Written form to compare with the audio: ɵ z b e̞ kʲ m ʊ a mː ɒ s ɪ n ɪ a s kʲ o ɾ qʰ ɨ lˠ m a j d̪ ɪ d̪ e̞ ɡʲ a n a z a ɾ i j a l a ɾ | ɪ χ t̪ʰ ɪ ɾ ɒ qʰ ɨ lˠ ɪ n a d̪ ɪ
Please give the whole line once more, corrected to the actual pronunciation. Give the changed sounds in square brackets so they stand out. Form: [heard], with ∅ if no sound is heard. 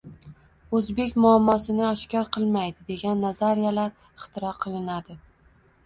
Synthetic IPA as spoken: ɵ z b e̞ kʲ m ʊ a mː ɒ s ɪ n ɪ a [ʃ] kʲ [ɒ] ɾ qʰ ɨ lˠ m a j d̪ ɪ d̪ e̞ ɡʲ a [nː] a z a ɾ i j a l a ɾ | ɪ χ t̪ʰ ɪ ɾ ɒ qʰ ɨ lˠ ɪ n a d̪ ɪ

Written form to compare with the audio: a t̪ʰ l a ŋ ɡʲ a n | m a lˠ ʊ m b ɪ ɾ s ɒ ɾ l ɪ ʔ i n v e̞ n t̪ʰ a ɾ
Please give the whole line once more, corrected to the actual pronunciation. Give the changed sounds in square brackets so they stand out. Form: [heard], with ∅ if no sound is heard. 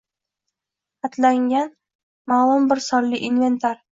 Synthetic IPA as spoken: a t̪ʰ l a ŋ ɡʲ a n | m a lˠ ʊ m b ɪ ɾ s ɒ ɾ l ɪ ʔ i n v e̞ n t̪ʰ a ɾ

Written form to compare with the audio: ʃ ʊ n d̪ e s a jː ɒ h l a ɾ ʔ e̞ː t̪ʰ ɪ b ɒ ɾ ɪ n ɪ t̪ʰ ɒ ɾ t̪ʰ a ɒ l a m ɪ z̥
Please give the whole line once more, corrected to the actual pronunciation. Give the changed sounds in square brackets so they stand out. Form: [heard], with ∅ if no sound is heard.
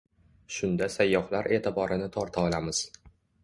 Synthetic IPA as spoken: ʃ ʊ n d̪ [a] s a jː ɒ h l a ɾ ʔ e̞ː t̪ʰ ɪ b ɒ ɾ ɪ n ɪ t̪ʰ ɒ ɾ t̪ʰ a ɒ l a m ɪ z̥

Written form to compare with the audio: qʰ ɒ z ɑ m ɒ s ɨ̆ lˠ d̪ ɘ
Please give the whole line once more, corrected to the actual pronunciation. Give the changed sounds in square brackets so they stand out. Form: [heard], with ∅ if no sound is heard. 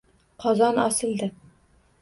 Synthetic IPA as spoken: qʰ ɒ z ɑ [n] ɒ s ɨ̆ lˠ d̪ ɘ

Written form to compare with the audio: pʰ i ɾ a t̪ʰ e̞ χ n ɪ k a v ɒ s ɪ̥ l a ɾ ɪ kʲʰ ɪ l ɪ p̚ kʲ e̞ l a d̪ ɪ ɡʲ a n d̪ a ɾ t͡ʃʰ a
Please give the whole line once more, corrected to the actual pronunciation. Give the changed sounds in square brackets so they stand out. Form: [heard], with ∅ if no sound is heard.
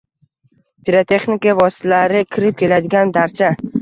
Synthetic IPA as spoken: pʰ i ɾ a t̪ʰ e̞ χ n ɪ k a v ɒ s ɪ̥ l a ɾ ɪ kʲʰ ɪ [ɾ] ɪ p̚ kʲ e̞ l a d̪ ɪ ɡʲ a n d̪ a ɾ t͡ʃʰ a

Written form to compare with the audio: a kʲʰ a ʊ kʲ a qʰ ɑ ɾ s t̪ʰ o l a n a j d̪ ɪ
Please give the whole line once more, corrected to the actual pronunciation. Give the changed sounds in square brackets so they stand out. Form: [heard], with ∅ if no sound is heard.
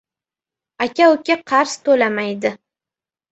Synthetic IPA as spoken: a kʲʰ a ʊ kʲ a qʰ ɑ ɾ s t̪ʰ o l a [m] a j d̪ ɪ

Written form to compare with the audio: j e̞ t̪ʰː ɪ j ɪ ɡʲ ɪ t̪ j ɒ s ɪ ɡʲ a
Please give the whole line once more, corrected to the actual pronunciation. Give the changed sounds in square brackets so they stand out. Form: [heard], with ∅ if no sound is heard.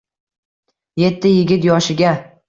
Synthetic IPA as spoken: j e̞ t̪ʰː ɪ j ɪ ɡʲ ɪ t̪ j ɒ [ʃ] ɪ ɡʲ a

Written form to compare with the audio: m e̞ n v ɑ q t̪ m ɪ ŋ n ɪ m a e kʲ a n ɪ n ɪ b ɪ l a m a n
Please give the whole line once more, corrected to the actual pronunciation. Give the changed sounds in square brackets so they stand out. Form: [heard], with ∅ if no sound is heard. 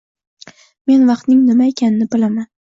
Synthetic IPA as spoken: m e̞ n v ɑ q t̪ [n] ɪ ŋ n ɪ m a e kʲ a n ɪ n ɪ b ɪ l a m a n

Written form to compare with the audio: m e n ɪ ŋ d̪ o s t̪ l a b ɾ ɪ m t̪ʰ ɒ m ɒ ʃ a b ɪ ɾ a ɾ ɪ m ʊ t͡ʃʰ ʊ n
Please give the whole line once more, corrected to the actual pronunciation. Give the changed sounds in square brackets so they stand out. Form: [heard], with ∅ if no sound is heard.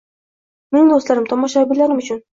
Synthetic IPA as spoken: m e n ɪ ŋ d̪ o s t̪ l a [∅] ɾ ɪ m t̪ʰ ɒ m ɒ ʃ a b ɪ [l] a ɾ ɪ m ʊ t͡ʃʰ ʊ n

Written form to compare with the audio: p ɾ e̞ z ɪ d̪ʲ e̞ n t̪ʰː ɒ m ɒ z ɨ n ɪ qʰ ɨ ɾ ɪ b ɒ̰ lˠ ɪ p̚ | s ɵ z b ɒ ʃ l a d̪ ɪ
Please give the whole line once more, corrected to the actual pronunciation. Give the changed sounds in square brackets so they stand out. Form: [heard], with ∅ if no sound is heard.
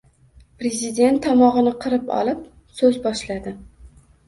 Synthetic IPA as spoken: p ɾ e̞ z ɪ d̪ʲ e̞ n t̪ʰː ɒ m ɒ [ʁ] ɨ n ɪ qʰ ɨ ɾ ɪ [p] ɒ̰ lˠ ɪ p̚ | s ɵ z b ɒ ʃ l a d̪ ɪ

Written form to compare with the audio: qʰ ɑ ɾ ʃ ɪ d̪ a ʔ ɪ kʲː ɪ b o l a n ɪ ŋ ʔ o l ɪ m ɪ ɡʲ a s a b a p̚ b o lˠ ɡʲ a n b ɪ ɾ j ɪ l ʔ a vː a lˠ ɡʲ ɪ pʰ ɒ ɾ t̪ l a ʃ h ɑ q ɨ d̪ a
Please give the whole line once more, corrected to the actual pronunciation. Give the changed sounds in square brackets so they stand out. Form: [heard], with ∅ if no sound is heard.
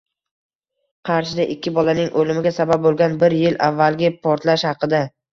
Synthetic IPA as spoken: qʰ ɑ ɾ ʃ ɪ d̪ a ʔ ɪ kʲː ɪ b [ɒ] l a n ɪ ŋ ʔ o l ɪ m ɪ ɡʲ a s a b a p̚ b o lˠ ɡʲ a n b ɪ ɾ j ɪ l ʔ a vː a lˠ ɡʲ ɪ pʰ ɒ ɾ t̪ l a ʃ h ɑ q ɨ d̪ a

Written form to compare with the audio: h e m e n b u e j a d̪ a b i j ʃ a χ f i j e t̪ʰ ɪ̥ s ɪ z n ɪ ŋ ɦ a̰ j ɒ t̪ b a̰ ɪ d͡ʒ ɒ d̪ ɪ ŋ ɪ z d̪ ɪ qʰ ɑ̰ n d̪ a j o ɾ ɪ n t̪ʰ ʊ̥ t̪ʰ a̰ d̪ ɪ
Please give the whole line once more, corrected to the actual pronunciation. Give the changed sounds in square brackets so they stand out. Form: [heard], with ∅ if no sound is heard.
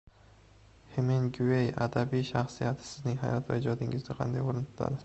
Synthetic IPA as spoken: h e m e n [ɡ] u e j a d̪ a b i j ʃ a χ [s] i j [a] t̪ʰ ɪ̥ s ɪ z n ɪ ŋ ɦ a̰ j ɒ t̪ [v] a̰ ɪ d͡ʒ ɒ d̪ ɪ ŋ ɪ z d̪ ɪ qʰ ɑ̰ n d̪ a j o ɾ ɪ n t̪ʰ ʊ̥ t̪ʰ a̰ d̪ ɪ

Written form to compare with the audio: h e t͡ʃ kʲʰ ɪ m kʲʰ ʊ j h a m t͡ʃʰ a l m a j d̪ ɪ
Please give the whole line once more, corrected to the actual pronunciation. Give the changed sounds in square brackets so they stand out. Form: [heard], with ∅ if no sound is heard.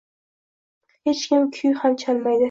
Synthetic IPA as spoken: h e t͡ʃ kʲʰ ɪ m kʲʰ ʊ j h a m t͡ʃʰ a l m a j d̪ ɪ

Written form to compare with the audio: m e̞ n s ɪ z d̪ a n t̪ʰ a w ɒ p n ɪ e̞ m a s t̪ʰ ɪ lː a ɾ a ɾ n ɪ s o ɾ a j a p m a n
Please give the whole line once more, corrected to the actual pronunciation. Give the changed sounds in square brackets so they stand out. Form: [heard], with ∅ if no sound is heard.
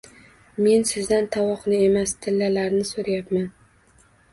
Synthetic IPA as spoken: m e̞ n s ɪ z d̪ a n t̪ʰ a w ɒ [q] n ɪ e̞ m a s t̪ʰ ɪ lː a [l] a ɾ n ɪ s o ɾ a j a p m a n

